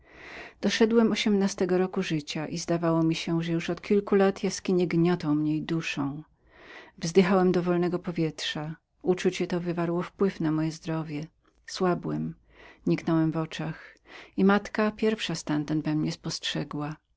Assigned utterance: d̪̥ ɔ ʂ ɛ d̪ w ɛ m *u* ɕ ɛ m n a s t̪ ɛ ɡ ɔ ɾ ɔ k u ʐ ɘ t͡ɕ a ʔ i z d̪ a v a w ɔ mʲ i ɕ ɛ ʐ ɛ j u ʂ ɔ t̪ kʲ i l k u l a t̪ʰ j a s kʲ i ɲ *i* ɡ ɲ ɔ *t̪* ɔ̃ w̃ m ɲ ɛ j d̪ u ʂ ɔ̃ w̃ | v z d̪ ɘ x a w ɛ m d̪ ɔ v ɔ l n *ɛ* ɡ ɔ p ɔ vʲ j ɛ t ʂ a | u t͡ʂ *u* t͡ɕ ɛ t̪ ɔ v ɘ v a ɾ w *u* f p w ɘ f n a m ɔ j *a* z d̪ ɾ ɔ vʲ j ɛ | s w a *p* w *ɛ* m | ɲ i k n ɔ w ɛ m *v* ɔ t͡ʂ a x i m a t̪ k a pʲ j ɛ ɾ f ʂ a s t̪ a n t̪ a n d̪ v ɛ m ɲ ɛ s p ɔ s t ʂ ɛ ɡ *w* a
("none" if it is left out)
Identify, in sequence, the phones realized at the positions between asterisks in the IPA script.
ɔ, ɛ, t̪, ɛ, u, ɔ, ɛ, b, ɛ, v, w

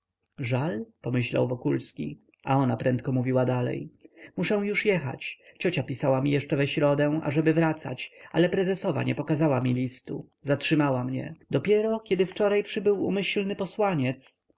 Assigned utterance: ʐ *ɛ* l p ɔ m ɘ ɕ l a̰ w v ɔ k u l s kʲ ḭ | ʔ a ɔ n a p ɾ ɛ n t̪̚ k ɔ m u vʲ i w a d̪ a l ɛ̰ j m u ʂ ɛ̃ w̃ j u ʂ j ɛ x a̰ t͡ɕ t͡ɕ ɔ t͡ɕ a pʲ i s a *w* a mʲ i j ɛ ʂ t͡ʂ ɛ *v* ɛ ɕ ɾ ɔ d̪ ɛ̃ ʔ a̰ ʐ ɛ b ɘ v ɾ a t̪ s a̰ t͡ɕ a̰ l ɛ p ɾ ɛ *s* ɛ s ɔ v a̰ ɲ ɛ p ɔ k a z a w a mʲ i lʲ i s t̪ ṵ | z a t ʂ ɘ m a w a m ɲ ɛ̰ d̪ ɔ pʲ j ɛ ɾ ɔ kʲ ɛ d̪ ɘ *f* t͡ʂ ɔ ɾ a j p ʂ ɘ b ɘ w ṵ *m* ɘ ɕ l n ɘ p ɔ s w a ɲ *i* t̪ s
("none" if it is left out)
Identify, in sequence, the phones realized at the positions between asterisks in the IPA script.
a, w, v, z, f, m, ɛ

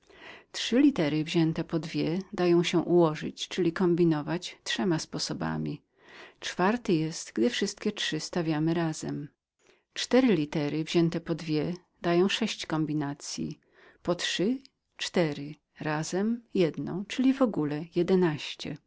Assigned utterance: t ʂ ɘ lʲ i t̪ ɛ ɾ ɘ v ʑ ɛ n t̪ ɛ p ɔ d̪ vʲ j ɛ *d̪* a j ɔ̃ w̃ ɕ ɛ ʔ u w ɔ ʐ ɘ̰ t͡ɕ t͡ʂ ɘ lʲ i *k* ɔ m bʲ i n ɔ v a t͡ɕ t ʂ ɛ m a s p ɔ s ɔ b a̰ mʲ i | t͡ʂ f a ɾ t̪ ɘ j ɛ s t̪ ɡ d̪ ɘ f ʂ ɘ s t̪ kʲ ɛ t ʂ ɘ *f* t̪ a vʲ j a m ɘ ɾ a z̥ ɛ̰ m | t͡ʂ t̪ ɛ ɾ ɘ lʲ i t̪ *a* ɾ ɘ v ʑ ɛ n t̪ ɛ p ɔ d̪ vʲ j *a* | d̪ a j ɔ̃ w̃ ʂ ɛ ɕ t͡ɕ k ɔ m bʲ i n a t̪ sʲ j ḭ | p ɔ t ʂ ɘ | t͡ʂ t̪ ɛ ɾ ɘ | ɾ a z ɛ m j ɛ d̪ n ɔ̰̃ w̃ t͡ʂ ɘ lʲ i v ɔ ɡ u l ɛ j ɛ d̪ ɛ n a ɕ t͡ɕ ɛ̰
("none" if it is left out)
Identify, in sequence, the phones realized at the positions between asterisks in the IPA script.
d̪, k, s, ɛ, ɛ

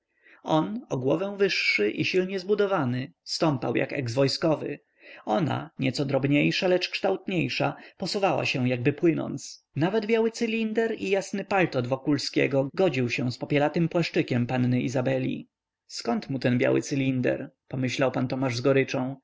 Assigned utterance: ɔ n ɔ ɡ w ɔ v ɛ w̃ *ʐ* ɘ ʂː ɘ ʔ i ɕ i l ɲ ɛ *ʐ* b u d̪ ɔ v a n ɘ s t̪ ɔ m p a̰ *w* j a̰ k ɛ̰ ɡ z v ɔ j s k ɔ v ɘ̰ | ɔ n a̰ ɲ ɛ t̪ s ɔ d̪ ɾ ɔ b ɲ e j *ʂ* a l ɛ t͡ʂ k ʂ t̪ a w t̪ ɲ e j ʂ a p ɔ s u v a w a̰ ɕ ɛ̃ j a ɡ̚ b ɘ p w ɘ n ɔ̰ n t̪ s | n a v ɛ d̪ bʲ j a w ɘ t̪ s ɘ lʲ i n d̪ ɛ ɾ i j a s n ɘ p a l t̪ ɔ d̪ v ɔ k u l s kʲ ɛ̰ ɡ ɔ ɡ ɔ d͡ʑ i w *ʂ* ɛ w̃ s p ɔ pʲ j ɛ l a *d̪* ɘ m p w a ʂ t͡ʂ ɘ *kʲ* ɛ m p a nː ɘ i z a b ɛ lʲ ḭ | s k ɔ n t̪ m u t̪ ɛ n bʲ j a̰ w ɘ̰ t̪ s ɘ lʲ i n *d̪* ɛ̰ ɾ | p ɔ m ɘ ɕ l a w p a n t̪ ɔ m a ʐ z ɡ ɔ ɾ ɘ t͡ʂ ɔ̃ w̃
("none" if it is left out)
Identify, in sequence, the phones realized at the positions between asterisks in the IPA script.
v, z, w, ʂ, ɕ, t̪, kʲ, d̪

